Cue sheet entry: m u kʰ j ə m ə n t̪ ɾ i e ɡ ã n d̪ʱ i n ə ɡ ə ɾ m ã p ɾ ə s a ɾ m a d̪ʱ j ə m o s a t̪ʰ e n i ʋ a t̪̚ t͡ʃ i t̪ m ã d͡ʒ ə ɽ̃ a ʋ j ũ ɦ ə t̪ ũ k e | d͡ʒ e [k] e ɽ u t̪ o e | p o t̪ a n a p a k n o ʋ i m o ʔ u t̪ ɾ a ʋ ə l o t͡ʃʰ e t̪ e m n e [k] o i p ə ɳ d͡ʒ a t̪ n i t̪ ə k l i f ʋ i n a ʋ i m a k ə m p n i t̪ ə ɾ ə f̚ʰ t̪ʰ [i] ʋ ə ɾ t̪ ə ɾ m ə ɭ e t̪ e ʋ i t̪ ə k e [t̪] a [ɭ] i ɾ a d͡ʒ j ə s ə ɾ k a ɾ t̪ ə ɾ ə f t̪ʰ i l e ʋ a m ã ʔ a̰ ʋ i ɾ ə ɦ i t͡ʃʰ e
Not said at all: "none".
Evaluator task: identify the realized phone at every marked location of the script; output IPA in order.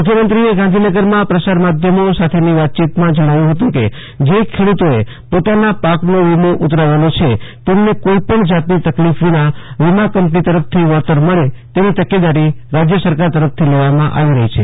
kʰ, k, i, d̪, ɾ

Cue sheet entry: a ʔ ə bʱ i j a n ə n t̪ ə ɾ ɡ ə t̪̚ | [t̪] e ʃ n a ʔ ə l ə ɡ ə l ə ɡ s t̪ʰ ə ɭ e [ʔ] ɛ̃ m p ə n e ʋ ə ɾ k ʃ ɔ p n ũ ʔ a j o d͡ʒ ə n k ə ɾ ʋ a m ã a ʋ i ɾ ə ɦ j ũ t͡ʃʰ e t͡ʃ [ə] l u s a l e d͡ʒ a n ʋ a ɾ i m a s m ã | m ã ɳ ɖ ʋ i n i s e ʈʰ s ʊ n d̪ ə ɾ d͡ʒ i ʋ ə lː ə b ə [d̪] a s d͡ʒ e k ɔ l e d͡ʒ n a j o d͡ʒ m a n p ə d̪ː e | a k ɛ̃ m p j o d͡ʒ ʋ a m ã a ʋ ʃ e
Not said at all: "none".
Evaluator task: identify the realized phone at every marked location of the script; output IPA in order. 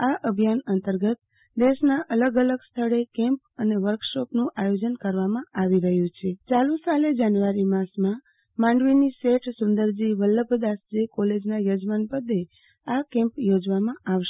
d̪, k, a, d̪

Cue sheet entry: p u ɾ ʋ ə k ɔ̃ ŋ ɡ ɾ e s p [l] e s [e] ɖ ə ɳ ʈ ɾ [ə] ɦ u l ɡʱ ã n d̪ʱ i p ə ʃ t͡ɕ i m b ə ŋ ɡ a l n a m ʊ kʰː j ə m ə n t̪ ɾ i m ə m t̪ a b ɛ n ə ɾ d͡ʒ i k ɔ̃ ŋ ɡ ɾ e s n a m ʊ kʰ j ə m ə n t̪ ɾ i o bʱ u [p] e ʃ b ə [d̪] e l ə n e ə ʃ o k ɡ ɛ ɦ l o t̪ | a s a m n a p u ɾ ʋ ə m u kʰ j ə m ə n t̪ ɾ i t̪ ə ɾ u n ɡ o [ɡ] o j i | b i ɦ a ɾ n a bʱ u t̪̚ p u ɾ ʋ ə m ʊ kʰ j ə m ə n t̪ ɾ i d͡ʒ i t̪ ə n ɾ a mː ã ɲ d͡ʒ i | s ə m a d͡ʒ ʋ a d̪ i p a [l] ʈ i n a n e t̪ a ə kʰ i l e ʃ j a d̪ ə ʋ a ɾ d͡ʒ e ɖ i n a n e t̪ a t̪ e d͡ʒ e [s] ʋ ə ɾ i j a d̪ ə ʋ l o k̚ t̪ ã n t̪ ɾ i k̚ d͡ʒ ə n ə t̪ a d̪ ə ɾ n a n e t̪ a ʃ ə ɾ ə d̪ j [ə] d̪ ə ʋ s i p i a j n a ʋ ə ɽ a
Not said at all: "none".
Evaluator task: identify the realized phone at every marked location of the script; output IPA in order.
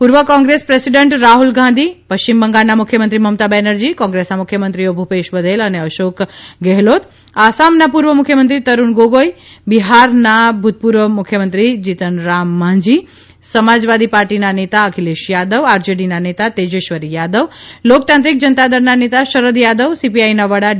ɾ, i, a, p, d̪, ɡ, ɾ, ʃ, a

